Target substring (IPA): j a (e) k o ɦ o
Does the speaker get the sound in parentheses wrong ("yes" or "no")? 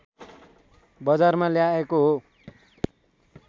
no